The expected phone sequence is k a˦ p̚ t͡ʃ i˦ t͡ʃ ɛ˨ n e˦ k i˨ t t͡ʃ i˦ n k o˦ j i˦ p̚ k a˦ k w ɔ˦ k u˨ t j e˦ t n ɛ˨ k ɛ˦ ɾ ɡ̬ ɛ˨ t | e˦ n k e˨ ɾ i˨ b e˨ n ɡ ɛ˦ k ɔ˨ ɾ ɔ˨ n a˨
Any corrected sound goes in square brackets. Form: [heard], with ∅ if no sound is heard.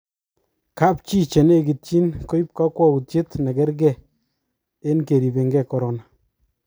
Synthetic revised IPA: k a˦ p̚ t͡ʃ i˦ t͡ʃ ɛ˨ n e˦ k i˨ t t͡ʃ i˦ n k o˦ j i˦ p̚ k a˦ k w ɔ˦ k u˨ t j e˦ t n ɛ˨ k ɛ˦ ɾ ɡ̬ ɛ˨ [∅] | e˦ n k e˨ ɾ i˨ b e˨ [ŋ] ɡ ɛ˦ k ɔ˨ ɾ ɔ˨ n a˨